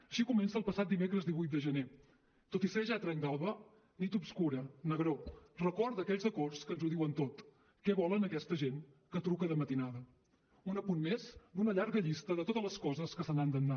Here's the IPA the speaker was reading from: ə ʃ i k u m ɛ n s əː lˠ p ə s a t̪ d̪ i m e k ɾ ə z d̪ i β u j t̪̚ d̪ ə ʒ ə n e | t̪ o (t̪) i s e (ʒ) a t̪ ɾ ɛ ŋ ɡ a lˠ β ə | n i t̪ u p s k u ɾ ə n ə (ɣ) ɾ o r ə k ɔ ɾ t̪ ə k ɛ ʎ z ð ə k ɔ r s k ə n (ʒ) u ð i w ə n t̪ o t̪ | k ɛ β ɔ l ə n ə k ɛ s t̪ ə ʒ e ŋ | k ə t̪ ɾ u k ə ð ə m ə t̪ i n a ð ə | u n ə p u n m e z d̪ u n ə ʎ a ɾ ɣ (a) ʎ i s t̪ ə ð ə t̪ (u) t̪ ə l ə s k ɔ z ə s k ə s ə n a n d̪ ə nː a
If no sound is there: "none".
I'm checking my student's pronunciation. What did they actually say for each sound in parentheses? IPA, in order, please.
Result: t̪, ʒ, ɣ, z, ə, o

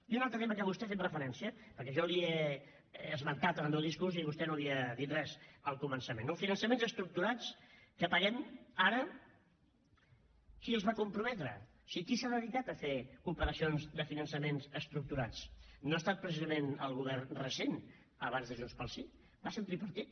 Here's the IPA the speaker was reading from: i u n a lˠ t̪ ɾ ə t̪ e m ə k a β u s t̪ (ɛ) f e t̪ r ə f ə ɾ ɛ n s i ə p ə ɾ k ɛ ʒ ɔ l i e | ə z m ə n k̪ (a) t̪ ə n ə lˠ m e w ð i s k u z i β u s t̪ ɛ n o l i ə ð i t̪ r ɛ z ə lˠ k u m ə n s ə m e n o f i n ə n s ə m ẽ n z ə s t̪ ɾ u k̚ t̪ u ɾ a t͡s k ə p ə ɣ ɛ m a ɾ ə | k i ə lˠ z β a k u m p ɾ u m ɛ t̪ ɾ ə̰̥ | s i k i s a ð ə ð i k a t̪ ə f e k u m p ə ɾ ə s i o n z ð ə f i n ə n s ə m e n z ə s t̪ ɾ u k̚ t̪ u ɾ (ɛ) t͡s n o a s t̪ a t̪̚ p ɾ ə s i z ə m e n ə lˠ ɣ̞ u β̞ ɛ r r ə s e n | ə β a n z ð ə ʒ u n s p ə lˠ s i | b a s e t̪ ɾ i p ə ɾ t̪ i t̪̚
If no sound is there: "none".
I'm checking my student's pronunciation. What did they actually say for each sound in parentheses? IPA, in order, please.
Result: ɛ, a, a

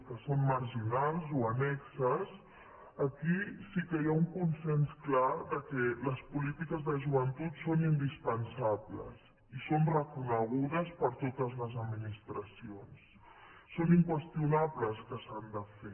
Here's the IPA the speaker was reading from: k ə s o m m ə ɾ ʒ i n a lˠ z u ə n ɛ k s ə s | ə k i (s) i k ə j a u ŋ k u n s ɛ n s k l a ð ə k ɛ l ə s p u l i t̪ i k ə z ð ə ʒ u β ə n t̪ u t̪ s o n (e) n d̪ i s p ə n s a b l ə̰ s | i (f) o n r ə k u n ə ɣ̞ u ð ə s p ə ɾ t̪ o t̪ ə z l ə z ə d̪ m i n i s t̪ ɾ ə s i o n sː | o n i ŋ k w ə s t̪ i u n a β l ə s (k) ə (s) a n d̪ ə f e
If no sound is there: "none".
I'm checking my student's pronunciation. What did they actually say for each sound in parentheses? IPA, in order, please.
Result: s, i, s, k, s

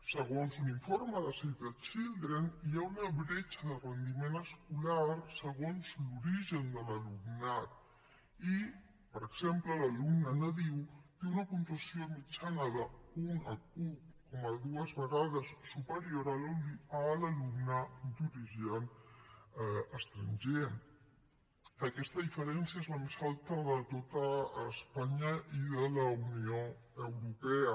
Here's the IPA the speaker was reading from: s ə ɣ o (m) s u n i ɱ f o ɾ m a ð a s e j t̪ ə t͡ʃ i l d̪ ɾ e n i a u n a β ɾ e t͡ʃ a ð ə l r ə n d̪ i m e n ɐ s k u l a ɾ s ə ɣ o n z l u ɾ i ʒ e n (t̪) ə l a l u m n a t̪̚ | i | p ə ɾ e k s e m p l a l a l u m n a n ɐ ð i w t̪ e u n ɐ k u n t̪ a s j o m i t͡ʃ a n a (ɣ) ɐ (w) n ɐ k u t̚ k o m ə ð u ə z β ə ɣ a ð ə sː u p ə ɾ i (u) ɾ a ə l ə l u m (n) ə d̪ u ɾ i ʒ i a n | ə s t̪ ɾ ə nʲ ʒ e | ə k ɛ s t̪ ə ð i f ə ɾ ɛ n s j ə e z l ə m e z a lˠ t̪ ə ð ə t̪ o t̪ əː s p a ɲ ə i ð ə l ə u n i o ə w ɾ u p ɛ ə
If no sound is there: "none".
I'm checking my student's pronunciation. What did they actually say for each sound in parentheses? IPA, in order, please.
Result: n, d̪, ð, u, o, n

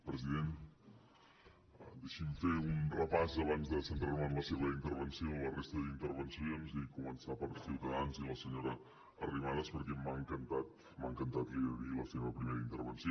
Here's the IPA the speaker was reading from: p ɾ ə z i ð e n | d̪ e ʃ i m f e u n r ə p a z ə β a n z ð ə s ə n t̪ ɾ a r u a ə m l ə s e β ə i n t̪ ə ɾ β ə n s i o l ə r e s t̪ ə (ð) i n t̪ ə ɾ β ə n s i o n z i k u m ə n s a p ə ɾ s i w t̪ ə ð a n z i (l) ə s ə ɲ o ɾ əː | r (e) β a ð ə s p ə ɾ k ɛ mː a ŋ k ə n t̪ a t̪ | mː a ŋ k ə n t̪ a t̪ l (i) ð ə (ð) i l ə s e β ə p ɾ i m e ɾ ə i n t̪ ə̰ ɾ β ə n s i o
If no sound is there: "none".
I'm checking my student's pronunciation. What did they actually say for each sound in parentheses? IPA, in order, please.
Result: ð, l, i, i, ð

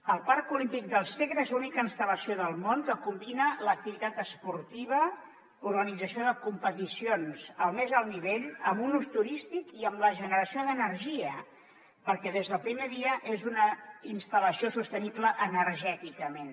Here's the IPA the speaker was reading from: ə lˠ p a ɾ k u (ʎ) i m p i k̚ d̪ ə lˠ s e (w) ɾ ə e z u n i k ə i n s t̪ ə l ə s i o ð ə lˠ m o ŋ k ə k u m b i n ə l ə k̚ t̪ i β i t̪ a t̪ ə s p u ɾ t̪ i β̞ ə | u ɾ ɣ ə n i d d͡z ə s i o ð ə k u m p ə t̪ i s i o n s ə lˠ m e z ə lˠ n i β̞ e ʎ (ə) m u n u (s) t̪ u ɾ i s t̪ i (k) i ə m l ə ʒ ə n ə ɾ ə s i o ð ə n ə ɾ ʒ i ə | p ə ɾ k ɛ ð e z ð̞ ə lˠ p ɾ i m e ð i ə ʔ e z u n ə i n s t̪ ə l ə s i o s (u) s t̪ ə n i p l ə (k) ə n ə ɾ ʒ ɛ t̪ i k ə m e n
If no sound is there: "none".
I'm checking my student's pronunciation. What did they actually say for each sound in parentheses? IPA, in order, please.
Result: l, ɣ, ə, s, k, u, ʔ

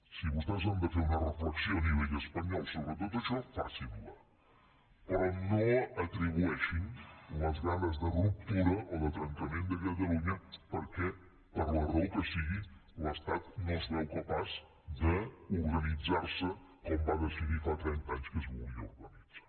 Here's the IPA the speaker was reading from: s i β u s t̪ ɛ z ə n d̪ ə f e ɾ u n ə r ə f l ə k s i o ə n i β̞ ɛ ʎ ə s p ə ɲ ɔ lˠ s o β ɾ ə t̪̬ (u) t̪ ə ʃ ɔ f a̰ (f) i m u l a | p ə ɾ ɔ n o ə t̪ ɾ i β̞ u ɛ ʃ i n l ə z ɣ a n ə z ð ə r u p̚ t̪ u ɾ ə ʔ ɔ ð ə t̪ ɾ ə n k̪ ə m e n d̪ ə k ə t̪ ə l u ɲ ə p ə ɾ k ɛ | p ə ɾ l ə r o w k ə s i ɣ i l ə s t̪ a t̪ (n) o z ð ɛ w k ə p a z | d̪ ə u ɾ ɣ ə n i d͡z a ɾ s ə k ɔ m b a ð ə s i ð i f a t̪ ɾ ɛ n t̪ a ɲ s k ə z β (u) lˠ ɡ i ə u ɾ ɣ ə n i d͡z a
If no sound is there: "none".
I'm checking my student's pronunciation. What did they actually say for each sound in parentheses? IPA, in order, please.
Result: o, s, n, u

